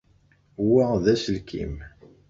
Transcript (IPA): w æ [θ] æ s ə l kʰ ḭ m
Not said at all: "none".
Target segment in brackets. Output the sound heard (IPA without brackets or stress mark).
ð